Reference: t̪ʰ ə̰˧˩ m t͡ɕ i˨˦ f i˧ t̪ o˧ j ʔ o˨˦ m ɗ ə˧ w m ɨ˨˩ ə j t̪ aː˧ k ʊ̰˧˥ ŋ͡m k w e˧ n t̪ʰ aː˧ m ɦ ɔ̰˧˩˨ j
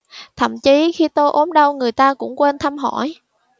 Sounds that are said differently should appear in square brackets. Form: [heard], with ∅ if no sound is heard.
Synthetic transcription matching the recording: t̪ʰ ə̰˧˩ m t͡ɕ i˨˦ [x] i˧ t̪ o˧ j ʔ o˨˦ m ɗ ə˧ w [ŋ] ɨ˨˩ ə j t̪ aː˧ k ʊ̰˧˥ ŋ͡m k w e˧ n t̪ʰ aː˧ m ɦ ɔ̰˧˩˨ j

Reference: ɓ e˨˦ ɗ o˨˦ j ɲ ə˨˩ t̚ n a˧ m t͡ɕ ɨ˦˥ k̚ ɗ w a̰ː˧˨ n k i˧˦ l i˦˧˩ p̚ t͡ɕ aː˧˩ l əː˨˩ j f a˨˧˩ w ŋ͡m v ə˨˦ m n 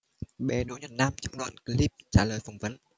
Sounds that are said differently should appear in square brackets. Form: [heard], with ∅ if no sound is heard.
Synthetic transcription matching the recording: ɓ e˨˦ ɗ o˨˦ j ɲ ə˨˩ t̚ n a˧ m t͡ɕ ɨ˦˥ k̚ ɗ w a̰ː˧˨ n k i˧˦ l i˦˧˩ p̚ t͡ɕ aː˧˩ l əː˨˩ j f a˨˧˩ w ŋ͡m v ə˨˦ [∅] n

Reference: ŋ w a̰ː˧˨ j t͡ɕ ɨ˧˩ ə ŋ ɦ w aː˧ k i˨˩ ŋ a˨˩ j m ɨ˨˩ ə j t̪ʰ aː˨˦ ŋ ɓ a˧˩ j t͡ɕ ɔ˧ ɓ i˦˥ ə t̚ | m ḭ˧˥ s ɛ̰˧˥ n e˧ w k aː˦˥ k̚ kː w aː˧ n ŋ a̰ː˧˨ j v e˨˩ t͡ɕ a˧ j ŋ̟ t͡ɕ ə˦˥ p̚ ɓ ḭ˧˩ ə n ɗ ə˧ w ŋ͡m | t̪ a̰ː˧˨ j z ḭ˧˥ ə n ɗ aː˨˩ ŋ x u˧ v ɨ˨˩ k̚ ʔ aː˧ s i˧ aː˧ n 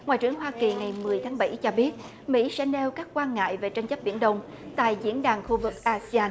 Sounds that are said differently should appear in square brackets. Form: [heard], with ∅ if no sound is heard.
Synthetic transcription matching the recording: ŋ w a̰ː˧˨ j t͡ɕ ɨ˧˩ ə ŋ ɦ w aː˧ k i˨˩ ŋ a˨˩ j m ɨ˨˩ ə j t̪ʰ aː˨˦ ŋ ɓ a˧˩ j t͡ɕ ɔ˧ ɓ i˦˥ ə t̚ | m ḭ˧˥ s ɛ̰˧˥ n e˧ w k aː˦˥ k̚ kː w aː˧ n ŋ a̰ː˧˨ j v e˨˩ t͡ɕ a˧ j ŋ̟ t͡ɕ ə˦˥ p̚ ɓ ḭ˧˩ ə n ɗ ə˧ w ŋ͡m | t̪ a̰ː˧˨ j z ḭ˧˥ ə n ɗ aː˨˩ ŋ x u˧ v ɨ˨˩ k̚ ʔ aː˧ s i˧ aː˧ n

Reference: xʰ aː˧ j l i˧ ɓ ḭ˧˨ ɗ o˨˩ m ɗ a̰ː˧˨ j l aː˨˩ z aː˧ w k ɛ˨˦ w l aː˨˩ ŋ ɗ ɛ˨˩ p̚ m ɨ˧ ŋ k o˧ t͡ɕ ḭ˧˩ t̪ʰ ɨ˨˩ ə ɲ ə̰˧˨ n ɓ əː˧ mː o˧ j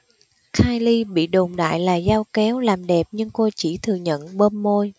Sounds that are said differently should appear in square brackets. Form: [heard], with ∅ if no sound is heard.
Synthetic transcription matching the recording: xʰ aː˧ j l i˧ ɓ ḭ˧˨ ɗ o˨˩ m ɗ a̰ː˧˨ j l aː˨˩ z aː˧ w k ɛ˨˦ w l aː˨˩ [m] ɗ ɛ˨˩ p̚ [ɲ] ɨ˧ ŋ k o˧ t͡ɕ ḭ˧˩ t̪ʰ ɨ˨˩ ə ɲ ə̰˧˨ n ɓ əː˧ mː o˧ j

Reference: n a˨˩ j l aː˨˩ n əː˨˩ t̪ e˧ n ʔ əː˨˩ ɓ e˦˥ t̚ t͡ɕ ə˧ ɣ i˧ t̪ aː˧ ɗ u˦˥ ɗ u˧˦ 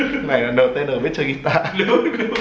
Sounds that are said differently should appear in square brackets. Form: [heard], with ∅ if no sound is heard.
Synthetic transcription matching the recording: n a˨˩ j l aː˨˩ n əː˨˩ t̪ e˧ n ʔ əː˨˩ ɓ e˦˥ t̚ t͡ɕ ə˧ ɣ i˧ t̪ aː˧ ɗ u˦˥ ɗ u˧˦

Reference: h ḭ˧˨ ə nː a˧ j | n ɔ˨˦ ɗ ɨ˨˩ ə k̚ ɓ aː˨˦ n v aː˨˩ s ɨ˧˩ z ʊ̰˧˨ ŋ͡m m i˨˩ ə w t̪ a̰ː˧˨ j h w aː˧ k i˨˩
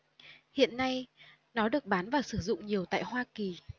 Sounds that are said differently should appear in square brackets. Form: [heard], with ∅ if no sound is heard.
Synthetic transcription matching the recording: h ḭ˧˨ ə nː a˧ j | n ɔ˨˦ ɗ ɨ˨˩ ə k̚ ɓ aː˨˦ n v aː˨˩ s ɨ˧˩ z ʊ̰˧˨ ŋ͡m [ɲ] i˨˩ ə w t̪ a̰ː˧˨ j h w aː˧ k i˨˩

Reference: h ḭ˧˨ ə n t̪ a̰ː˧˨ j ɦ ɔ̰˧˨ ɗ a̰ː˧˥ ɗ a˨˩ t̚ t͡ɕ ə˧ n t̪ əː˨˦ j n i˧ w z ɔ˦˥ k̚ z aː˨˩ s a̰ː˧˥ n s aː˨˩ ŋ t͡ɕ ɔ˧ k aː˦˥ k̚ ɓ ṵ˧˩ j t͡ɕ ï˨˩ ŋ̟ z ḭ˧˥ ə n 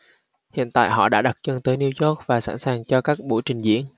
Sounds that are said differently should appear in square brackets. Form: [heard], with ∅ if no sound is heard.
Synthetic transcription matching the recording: h ḭ˧˨ ə n t̪ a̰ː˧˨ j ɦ ɔ̰˧˨ ɗ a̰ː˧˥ ɗ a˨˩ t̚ t͡ɕ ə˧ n t̪ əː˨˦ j n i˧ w z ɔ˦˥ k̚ [v] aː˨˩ s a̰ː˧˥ n s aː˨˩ ŋ t͡ɕ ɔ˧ k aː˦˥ k̚ ɓ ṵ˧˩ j t͡ɕ ï˨˩ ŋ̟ z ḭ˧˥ ə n

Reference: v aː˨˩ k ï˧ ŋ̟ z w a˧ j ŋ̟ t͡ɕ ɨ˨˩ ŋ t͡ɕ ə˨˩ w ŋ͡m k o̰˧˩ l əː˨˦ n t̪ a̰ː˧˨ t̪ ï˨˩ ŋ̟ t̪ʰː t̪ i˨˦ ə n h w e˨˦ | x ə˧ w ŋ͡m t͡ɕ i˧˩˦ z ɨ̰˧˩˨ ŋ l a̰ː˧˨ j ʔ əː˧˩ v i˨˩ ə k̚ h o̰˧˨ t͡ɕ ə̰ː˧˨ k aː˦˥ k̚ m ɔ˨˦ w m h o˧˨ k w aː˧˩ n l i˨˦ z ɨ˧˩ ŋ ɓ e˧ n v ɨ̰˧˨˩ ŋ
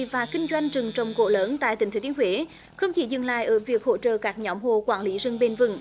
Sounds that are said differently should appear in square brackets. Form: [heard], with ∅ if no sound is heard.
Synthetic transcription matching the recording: v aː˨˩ k ï˧ ŋ̟ z w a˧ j ŋ̟ t͡ɕ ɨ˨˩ ŋ t͡ɕ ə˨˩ w ŋ͡m k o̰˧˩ l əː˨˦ n t̪ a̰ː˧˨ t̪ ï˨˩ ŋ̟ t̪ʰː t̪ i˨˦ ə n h w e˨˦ | x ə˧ w ŋ͡m t͡ɕ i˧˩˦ z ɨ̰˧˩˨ ŋ l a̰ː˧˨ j ʔ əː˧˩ v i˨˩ ə k̚ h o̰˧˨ t͡ɕ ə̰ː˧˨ k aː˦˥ k̚ [ɲ] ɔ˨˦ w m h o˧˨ k w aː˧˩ n l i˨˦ z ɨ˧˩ ŋ ɓ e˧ n v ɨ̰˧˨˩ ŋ

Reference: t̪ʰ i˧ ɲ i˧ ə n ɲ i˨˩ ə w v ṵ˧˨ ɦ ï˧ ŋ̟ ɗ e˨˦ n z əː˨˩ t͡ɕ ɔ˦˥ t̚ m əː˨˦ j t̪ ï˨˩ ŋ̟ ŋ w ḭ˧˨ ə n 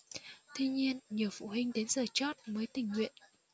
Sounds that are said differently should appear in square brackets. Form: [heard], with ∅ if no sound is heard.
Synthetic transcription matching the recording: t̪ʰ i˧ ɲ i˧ ə n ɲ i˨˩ ə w [f] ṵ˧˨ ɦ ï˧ ŋ̟ ɗ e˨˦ n z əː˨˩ t͡ɕ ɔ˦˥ t̚ m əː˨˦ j t̪ ï˨˩ ŋ̟ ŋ w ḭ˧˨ ə n

